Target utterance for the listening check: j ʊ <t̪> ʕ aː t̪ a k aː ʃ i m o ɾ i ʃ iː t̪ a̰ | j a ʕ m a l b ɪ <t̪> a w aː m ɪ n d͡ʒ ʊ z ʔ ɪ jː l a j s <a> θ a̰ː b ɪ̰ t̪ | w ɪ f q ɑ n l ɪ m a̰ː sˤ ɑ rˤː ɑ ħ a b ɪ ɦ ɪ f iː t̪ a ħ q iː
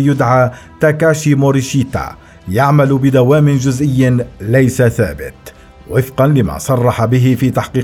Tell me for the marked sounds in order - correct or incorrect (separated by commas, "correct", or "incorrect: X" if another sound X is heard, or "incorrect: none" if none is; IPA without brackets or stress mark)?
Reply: incorrect: d̪, incorrect: d̪, correct